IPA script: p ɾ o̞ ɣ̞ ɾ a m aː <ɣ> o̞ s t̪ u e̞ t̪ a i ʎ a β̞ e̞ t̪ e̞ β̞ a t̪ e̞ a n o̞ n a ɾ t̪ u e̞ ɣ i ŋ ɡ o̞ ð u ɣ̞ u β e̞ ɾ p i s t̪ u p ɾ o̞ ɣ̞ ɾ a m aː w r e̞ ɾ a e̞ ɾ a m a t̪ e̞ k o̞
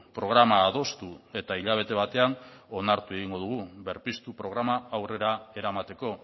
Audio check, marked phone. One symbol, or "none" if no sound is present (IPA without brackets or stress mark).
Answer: ð